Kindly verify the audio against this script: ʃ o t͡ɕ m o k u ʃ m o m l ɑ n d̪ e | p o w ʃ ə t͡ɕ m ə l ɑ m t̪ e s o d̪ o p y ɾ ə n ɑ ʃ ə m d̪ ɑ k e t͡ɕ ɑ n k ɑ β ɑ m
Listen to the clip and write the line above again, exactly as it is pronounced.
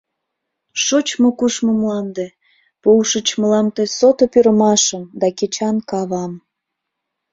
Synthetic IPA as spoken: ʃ o t͡ɕ m o k u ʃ m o m l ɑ n d̪ e | p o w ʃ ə t͡ɕ m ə l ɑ m t̪ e s o t̪ o p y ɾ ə m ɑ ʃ ə m d̪ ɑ k e t͡ɕ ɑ n k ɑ β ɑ m